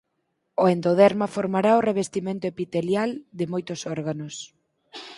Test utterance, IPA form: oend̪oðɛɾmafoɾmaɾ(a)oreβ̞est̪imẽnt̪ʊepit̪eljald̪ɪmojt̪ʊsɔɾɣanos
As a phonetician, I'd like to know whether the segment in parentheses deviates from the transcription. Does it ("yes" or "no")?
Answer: no